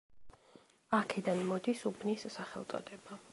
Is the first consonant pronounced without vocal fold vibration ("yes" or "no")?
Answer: yes